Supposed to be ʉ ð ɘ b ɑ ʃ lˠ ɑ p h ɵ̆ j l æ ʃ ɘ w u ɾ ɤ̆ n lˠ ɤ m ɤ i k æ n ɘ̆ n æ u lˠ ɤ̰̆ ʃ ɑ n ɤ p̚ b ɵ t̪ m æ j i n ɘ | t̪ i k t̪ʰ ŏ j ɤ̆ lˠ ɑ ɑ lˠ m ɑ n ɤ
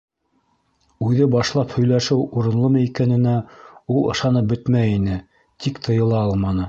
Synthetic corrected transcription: ʉ ð ɘ b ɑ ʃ lˠ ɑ p h ɵ̆ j l æ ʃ ɘ w u ɾ ɤ̆ n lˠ ɤ m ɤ i k æ n ɘ̆ n æ u lˠ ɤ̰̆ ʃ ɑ n ɤ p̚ b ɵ t̪ m æ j i n ɘ | t̪ i k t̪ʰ ɤ̆ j ɤ̆ lˠ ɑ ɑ lˠ m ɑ n ɤ

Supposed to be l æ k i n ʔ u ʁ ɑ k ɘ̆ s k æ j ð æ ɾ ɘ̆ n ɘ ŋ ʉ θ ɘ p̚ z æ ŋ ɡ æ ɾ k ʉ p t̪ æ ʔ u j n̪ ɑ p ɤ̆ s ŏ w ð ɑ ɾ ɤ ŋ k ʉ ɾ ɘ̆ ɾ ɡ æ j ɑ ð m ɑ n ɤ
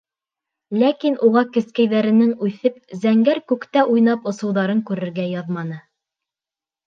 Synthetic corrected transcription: l æ k i n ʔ u ʁ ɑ k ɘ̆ s k æ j ð æ ɾ ɘ̆ n ɘ ŋ ʉ θ ɘ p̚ z æ ŋ ɡ æ ɾ k ʉ k t̪ æ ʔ u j n̪ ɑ p ŏ s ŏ w ð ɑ ɾ ɤ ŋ k ʉ ɾ ɘ̆ ɾ ɡ æ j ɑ ð m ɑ n ɤ

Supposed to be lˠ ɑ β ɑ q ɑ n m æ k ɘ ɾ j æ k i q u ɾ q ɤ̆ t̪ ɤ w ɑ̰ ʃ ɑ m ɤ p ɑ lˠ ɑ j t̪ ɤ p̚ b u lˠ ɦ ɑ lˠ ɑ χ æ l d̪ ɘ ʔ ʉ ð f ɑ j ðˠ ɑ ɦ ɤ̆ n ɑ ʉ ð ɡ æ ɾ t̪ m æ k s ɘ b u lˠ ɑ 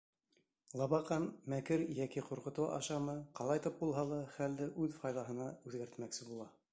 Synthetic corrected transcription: lˠ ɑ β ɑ q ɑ n m æ k ɘ ɾ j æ k i q u ɾ q ɤ̆ t̪ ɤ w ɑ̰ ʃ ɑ m ɤ q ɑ lˠ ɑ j t̪ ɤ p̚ b u lˠ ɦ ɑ lˠ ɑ χ æ l d̪ ɘ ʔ ʉ ð f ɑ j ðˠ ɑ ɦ ɤ̆ n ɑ ʉ ð ɡ æ ɾ t̪ m æ k s ɘ b u lˠ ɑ

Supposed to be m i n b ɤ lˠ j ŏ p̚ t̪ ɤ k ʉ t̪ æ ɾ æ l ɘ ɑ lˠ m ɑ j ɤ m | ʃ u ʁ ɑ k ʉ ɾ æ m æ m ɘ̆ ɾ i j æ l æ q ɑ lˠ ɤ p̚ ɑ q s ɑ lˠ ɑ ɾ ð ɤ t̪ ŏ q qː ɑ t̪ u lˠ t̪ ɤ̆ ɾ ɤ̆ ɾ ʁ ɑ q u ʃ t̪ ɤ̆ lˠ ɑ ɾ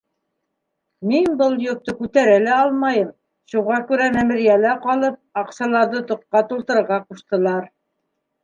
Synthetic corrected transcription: m i n b ɤ lˠ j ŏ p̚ t̪ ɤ k ʉ t̪ æ ɾ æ l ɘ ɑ lˠ m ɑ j ɤ m | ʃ u ʁ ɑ k ʉ ɾ æ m æ m ɘ̆ ɾ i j æ l æ q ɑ lˠ ɤ p̚ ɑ q s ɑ lˠ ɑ ɾ ð ɤ t̪ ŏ q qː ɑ t̪ u lˠ t̪ ɤ̆ ɾ ɤ̆ ɾ ʁ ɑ q u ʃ t̪ ɤ̆ lˠ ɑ ɾ

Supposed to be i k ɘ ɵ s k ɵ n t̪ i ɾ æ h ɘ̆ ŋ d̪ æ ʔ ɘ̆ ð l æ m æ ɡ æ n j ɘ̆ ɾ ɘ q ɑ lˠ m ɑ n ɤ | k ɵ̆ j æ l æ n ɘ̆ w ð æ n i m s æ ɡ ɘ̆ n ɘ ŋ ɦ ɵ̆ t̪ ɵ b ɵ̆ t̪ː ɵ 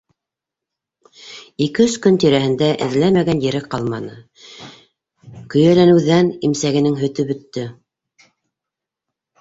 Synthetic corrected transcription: i k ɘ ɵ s k ɵ n t̪ i ɾ æ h ɘ̆ n d̪ æ ʔ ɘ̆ ð l æ m æ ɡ æ n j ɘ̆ ɾ ɘ q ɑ lˠ m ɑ n ɤ | k ɵ̆ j æ l æ n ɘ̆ w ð æ n i m s æ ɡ ɘ̆ n ɘ ŋ ɦ ɵ̆ t̪ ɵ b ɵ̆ t̪ː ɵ

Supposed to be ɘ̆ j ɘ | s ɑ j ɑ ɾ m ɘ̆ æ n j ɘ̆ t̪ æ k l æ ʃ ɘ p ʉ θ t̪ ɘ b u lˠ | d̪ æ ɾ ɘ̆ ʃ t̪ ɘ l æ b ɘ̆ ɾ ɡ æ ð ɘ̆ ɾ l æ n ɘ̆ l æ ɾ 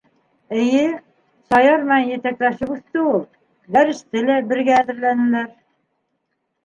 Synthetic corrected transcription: ɘ̆ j ɘ | s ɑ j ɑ ɾ m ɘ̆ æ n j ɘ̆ t̪ æ k l æ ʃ ɘ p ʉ θ t̪ ɘ u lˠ | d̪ æ ɾ ɘ̆ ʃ t̪ ɘ l æ b ɘ̆ ɾ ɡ æː ð ɘ̆ ɾ l æ n ɘ̆ l æ ɾ

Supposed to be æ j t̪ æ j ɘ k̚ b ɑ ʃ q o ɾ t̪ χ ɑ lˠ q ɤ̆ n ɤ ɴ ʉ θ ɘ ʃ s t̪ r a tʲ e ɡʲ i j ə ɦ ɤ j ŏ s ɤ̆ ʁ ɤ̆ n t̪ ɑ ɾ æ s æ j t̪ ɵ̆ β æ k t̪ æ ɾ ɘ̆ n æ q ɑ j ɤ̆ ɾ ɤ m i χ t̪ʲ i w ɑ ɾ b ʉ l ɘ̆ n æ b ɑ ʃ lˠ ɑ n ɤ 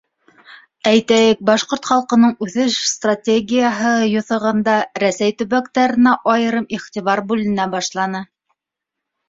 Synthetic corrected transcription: æ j t̪ æ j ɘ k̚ b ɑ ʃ q o ɾ t̪ χ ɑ lˠ q ɤ̆ n ɤ ɴ ʉ θ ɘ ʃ s t̪ r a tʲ e ɡʲ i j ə ɦ ɤ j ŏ θ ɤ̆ ʁ ɤ̆ n d̪ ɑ ɾ æ s æ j t̪ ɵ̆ β æ k t̪ æ ɾ ɘ̆ n æ ʔ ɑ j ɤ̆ ɾ ɤ m i χ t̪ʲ i β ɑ ɾ b ʉ l ɘ̆ n æ b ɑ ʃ lˠ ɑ n ɤ

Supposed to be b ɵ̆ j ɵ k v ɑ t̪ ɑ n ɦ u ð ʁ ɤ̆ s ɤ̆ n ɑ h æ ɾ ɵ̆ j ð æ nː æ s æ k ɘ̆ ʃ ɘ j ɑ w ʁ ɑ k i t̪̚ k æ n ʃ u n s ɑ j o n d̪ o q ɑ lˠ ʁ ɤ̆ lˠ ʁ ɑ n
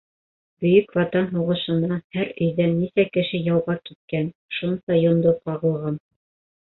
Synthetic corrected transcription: b ɵ̆ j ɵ k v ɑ t̪ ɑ n ɦ u ʁ ɤ̆ ʃ ɤ̆ n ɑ h æ ɾ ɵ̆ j ð æ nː i s æ k ɘ̆ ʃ ɘ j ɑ w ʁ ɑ k i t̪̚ k æ n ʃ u n s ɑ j o n d̪ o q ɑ ʁ ɤ̆ lˠ ʁ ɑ n

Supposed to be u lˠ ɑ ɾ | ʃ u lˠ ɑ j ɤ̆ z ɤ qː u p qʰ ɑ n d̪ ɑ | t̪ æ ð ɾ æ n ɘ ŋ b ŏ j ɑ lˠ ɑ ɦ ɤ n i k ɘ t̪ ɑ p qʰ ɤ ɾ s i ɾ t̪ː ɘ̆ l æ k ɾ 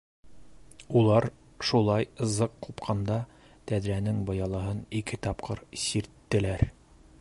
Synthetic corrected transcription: u lˠ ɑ ɾ | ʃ u lˠ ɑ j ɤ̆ z ɤ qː u p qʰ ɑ n d̪ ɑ | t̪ æ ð ɾ æ n ɘ ŋ b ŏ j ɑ lˠ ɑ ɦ ɤ n i k ɘ t̪ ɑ p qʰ ɤ ɾ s i ɾ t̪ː ɘ̆ l æ ɾ

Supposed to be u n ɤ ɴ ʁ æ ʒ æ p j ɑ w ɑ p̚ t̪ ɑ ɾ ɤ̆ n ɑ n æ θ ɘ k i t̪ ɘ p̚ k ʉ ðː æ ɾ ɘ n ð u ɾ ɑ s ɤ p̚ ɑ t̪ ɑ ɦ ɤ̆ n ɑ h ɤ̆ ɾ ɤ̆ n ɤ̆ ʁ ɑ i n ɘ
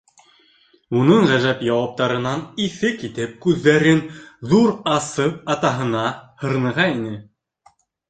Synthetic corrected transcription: u n ɤ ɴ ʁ æ ʒ æ p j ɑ w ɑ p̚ t̪ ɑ ɾ ɤ̆ n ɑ n i θ ɘ k i t̪ ɘ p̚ k ʉ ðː æ ɾ ɘ n ð u ɾ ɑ s ɤ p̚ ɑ t̪ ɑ ɦ ɤ̆ n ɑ h ɤ̆ ɾ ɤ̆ n ɤ̆ ʁ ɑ i n ɘ

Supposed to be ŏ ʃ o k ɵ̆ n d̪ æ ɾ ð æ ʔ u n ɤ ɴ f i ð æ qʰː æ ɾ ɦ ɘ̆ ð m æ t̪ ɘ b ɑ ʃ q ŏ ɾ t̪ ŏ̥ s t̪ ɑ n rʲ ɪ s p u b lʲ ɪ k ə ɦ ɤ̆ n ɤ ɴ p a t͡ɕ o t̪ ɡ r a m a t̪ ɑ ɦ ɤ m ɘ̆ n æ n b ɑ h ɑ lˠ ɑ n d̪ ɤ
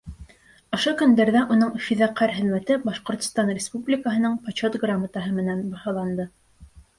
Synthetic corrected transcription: ŏ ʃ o k ɵ̆ n d̪ æ ɾ ð æ ʔ u n ɤ ɴ f i ð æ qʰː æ ɾ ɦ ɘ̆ ð m æ t̪ ɘ b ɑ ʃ q ŏ ɾ t̪ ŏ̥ s t̪ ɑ n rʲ ɪ s p u b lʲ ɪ k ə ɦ ɤ̆ n ɤ ɴ p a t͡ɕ o t̪ ɡ r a m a t̪ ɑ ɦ ɤ m ɘ̆ n æ n b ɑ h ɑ lˠ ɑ n d̪ ɤ

